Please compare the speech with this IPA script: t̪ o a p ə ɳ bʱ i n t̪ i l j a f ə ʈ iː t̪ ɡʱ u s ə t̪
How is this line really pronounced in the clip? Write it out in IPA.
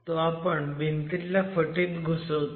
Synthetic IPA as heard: t̪ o a p ə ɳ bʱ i n t̪ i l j a f ə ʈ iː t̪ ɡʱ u s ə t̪